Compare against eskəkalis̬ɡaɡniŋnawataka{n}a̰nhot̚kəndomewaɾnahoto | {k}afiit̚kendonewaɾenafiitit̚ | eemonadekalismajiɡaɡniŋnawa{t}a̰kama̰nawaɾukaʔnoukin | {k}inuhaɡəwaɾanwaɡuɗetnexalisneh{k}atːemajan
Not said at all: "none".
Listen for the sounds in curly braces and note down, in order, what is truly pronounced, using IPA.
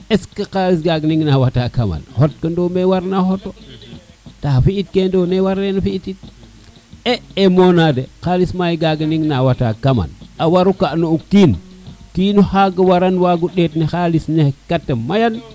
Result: m, t, t, k, k

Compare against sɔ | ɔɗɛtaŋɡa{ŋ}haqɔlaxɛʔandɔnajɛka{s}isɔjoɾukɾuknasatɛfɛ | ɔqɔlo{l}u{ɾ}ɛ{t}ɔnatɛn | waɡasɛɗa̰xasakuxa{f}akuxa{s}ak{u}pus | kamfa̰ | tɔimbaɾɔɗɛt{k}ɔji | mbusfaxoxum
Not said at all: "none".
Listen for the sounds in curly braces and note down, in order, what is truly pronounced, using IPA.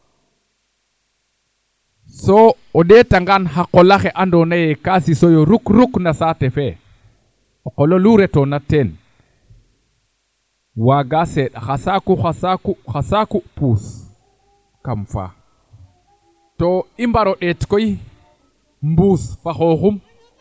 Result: n, s, l, ɾ, t, s, s, u, k

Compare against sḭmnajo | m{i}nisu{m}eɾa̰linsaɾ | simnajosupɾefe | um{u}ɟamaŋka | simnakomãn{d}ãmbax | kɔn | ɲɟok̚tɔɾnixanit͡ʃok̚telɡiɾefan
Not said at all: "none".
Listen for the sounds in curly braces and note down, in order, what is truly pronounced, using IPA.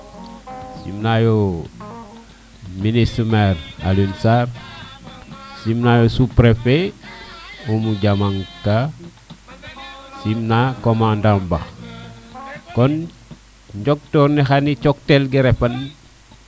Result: i, m, u, d

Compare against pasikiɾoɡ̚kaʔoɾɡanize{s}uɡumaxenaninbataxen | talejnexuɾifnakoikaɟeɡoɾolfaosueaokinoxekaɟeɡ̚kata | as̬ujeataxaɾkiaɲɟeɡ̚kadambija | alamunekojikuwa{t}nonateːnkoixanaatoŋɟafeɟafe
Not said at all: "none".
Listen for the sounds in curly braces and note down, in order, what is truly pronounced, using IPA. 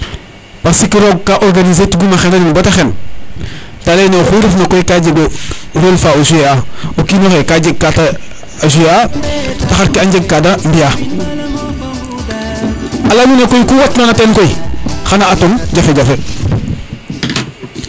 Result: t, t

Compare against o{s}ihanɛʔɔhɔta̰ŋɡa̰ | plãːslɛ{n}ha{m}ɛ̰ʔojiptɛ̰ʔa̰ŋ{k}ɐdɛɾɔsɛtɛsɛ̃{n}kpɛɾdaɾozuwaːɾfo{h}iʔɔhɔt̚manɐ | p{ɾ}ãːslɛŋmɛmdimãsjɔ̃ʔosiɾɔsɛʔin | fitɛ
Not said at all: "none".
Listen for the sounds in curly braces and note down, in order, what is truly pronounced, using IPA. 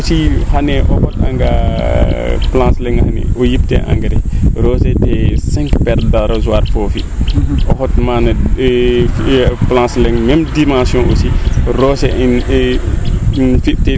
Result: s, ŋ, n, ɡ, ŋ, f, l

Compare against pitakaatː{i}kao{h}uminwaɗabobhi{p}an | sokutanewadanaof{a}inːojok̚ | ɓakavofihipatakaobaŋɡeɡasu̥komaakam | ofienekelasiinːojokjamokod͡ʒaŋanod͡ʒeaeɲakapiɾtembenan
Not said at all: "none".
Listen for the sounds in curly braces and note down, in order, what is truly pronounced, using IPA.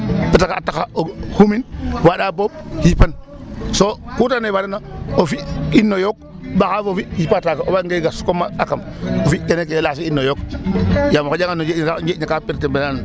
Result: a, h, p, i

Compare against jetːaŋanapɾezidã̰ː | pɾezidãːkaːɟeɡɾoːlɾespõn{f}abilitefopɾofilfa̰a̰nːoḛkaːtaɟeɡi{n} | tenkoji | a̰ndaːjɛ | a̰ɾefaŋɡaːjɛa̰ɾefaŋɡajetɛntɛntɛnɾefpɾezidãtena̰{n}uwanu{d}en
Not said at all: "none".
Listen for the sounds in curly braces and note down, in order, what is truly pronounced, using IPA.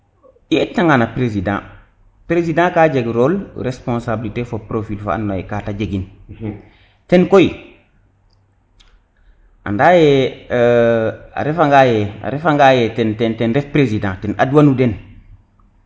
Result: s, n, d, d

